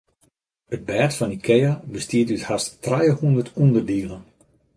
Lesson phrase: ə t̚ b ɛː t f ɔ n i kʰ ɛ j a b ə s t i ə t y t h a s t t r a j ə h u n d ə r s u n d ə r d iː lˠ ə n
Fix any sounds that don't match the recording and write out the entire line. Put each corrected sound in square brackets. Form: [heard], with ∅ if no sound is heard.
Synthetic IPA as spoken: ə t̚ b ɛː t f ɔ n i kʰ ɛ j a b ə s t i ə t y t h a s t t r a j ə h u n d ə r [t] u n d ə r d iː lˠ ə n

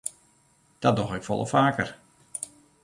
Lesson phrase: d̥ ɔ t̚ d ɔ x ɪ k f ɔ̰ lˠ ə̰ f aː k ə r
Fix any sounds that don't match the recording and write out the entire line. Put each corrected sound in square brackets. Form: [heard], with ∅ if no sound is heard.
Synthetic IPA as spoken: d̥ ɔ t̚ d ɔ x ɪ k f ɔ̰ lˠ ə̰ f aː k ə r

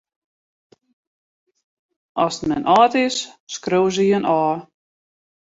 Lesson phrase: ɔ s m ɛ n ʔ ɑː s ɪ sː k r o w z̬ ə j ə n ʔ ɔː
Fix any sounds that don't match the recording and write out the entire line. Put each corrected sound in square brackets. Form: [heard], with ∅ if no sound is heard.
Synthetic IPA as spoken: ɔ s m ɛ n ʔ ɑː [t] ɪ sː k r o w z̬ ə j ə n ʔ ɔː

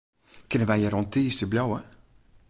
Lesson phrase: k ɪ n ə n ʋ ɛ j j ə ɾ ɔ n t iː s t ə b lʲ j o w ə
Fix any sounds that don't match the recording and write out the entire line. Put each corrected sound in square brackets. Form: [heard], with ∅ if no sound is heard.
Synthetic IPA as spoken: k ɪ n ə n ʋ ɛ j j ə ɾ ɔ n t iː s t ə b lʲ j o w ə

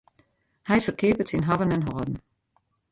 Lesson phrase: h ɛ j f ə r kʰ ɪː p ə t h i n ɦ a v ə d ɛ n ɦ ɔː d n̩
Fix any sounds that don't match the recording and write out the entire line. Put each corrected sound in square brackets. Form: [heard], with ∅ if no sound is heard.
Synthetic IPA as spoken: h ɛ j f ə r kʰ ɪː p ə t [s] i n ɦ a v ə [n] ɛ n ɦ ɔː d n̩

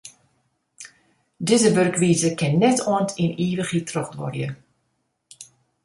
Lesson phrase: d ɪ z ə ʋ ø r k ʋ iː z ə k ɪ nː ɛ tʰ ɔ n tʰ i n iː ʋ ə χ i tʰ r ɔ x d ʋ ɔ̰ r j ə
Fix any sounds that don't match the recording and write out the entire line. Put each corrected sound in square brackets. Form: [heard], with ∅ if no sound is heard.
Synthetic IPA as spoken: d ɪ z ə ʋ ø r k ʋ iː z ə k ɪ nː ɛ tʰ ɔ n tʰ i n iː ʋ ə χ i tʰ r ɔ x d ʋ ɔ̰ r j ə

